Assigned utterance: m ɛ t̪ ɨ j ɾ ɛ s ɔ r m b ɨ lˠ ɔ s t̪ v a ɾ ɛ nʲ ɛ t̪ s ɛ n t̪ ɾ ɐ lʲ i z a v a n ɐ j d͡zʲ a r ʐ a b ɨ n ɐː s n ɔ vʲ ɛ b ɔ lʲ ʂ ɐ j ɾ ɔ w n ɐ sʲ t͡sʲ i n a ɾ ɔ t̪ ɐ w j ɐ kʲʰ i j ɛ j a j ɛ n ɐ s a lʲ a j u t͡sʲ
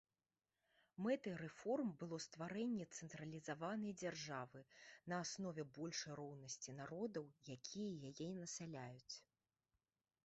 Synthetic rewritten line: m ɛ t̪ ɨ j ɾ ɛ f ɔ r m b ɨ lˠ ɔ s t̪ v a ɾ ɛ nʲː ɛ t̪ s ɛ n t̪ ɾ ɐ lʲ i z a v a n ɐ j d͡zʲ a r ʐ a v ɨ n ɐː s n ɔ vʲ ɛ b ɔ lʲ ʂ ɐ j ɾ ɔ w n ɐ sʲ t͡sʲ i n a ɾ ɔ d̪ ɐ w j a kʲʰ i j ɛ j a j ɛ n ɐ s a lʲ a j u t͡sʲ